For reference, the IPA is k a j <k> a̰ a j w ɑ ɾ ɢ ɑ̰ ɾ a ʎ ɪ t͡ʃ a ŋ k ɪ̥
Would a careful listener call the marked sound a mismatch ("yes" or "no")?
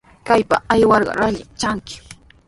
yes